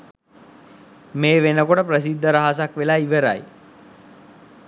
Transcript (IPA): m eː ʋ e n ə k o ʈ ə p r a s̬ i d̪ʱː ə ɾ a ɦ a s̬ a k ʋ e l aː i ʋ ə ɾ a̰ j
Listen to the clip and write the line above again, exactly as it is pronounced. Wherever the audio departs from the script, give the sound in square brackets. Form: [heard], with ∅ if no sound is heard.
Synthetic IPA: m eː ʋ e n ə k o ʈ ə p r [ə] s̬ i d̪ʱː ə ɾ a ɦ a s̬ a k ʋ e l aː i ʋ ə ɾ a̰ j